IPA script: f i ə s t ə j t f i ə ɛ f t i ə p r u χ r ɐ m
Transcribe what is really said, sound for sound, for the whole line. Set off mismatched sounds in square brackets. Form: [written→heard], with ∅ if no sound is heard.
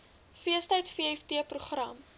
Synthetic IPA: f i ə s t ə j t f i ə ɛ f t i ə p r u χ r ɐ m